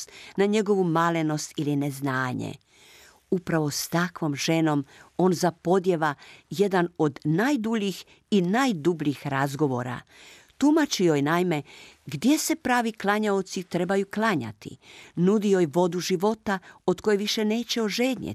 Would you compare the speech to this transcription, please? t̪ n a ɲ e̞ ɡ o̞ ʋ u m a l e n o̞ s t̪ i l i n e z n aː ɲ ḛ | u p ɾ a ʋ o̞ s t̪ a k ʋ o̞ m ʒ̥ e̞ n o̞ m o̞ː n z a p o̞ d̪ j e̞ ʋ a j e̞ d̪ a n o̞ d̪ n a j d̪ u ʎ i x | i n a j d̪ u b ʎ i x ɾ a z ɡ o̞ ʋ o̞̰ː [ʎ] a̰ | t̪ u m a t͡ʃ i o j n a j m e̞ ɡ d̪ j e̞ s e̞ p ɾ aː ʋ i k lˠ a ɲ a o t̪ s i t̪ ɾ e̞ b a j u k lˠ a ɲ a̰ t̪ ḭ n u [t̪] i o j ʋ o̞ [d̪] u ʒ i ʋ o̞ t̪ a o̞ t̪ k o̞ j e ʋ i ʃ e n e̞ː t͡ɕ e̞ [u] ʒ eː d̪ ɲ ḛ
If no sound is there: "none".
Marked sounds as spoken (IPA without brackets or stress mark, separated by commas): ɾ, d̪, d̪, o